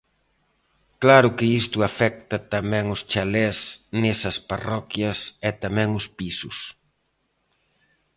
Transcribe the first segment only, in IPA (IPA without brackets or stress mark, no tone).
k